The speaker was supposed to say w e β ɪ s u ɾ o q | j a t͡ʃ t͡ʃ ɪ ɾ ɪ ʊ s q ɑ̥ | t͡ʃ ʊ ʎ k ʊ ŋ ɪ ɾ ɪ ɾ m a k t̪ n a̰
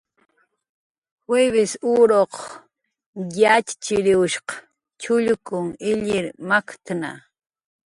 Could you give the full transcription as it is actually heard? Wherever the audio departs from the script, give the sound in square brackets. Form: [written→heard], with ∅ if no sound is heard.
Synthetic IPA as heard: w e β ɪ s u ɾ o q | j a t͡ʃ t͡ʃ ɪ ɾ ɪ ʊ [s→ʃ] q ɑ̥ | t͡ʃ ʊ ʎ k ʊ ŋ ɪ [ɾ→ʎ] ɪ ɾ m a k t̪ n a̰